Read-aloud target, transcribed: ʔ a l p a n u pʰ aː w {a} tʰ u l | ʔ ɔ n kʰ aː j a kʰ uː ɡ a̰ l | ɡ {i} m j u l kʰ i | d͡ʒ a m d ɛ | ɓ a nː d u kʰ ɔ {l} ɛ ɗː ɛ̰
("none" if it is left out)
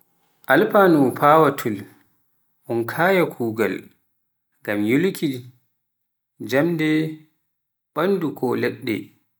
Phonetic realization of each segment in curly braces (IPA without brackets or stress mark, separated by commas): a, a, l